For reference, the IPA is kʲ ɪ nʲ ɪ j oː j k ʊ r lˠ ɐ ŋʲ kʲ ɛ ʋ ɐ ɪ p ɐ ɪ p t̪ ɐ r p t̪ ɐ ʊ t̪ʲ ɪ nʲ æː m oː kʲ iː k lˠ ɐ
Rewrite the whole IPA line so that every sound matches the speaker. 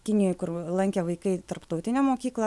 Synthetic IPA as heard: kʲ ɪ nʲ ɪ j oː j k ʊ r lˠ ɐ ŋʲ kʲ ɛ ʋ ɐ ɪ k ɐ ɪ t̪ ɐ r p t̪ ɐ ʊ t̪ʲ ɪ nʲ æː m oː kʲ iː k lˠ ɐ